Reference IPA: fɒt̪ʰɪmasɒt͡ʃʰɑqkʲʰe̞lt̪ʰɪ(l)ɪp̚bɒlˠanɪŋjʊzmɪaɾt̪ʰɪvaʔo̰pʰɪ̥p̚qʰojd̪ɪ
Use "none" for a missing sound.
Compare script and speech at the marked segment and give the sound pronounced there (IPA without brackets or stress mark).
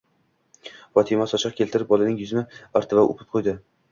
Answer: ɾ